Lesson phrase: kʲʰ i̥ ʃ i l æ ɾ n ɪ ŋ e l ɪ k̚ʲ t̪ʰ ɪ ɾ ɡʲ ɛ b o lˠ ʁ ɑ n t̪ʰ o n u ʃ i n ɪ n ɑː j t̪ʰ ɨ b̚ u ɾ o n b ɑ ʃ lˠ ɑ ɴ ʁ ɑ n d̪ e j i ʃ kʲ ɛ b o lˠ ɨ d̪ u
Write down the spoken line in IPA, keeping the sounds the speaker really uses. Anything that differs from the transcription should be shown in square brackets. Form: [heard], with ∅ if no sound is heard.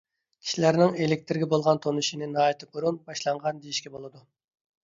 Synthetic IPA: kʲʰ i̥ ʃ i l æ ɾ n ɪ ŋ e l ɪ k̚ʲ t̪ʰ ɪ ɾ ɡʲ ɛ b o lˠ ʁ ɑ n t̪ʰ o n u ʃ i n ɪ n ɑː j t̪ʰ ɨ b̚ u ɾ [u] n b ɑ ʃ lˠ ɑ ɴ ʁ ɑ n d̪ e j i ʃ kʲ ɛ b o lˠ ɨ d̪ u